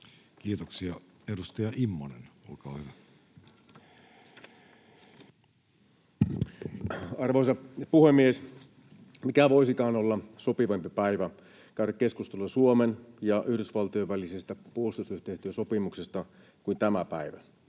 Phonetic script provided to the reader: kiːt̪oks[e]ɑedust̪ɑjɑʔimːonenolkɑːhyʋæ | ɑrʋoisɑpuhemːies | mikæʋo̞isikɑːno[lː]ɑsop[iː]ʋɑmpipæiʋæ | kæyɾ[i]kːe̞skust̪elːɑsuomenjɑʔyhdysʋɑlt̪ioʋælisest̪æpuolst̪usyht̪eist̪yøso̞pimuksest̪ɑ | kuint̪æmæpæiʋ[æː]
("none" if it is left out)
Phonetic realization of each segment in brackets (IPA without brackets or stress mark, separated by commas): i, lː, i, æ, æ